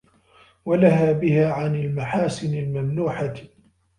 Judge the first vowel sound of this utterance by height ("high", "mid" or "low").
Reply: low